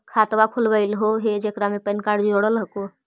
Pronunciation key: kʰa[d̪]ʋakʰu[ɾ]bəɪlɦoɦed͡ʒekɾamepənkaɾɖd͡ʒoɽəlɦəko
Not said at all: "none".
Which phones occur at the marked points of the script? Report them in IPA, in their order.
t̪, l

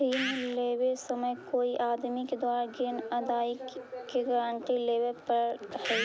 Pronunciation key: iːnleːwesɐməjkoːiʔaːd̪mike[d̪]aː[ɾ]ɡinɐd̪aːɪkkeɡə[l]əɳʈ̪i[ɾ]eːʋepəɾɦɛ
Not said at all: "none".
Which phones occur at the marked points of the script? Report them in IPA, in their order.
d̪, ɾ, ɾ, l

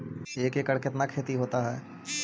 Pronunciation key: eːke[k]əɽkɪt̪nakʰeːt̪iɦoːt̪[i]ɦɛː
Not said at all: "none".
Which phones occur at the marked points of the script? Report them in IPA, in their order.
k, a

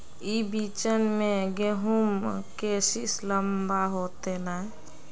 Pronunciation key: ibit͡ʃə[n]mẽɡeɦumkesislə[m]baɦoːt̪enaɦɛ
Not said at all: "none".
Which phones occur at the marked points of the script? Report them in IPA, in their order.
n, m

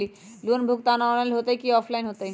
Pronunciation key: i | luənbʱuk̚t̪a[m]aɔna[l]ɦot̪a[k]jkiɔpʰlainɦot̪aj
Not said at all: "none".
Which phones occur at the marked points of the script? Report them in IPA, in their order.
n, l, none

